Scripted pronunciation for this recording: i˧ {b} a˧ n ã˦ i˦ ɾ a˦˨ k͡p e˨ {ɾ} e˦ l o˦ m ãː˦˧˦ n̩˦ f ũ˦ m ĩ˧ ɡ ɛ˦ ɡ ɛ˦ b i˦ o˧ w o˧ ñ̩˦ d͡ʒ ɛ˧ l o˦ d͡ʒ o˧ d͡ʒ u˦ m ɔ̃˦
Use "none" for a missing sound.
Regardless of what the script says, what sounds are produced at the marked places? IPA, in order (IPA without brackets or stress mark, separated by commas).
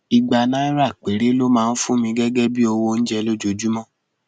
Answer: ɡ͡b, ɾ